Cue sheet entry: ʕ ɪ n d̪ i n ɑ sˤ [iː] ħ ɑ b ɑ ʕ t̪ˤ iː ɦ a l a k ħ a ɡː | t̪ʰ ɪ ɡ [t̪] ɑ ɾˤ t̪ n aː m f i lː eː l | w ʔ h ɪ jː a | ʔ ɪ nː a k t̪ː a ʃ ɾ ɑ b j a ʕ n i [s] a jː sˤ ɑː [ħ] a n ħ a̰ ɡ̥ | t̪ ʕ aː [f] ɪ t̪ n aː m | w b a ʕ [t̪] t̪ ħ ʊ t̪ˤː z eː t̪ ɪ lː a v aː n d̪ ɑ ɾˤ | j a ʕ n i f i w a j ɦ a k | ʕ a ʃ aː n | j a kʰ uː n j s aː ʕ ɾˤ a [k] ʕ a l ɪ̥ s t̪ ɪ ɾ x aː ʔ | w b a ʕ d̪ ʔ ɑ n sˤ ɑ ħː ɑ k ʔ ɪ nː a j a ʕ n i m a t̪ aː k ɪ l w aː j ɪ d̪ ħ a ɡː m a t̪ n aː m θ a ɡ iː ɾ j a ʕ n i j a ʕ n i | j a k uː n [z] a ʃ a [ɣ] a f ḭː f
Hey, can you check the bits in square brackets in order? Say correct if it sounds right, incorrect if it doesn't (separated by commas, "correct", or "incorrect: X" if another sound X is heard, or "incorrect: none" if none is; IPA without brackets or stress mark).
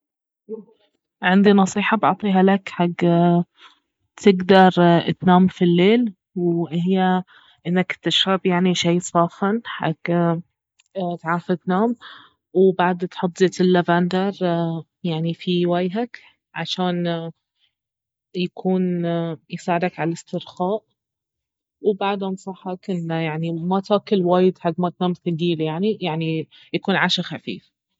correct, incorrect: d̪, incorrect: ʃ, incorrect: f, correct, incorrect: d̪, correct, incorrect: ʕ, incorrect: x